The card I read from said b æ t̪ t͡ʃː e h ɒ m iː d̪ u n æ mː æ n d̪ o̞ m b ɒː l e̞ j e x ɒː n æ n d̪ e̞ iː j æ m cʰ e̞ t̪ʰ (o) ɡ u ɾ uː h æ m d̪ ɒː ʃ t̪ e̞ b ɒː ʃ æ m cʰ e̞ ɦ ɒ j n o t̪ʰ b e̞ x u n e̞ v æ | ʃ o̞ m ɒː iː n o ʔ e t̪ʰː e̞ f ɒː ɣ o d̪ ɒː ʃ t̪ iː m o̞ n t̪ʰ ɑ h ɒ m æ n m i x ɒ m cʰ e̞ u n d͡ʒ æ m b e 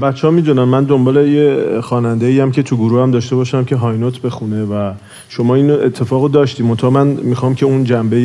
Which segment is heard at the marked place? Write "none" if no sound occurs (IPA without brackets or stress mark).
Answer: u